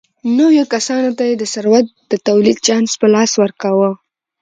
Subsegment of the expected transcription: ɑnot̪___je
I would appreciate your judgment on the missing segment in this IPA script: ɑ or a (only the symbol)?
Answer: a